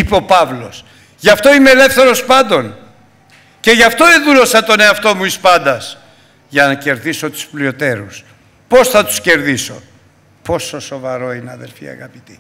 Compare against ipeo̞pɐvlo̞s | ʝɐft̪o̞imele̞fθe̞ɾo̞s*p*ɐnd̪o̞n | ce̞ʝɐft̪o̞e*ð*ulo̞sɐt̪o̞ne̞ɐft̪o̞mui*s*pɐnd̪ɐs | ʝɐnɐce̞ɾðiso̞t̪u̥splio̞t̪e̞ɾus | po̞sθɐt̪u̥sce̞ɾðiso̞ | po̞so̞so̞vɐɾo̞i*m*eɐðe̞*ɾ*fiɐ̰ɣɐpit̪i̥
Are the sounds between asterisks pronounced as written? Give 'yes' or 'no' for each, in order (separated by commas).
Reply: yes, yes, yes, no, no